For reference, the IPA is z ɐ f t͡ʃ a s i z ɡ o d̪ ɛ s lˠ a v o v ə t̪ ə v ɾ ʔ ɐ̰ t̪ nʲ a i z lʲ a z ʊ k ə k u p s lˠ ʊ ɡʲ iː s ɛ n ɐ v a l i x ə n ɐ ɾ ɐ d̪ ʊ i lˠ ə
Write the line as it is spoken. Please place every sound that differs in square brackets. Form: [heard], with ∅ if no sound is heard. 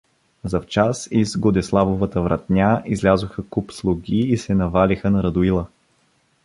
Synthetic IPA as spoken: z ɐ f t͡ʃ a s i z ɡ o d̪ ɛ s lˠ a v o v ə t̪ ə v ɾ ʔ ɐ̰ t̪ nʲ a i z lʲ a z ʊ [x] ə k u p s lˠ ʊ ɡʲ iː s ɛ n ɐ v a l i x ə n ɐ ɾ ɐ d̪ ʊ i lˠ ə